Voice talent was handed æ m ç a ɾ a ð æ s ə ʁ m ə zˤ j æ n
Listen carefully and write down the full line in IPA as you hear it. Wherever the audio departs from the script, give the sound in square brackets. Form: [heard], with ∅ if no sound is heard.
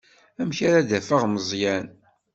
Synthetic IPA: æ m ç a ɾ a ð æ [f] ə ʁ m ə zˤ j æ n